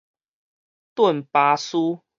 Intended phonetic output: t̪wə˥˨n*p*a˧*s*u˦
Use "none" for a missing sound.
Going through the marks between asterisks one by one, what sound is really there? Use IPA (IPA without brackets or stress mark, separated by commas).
p, s